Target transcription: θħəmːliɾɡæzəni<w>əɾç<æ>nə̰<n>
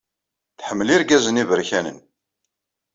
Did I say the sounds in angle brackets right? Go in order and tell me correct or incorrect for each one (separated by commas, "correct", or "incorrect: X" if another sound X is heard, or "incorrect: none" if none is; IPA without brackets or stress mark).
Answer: incorrect: v, correct, correct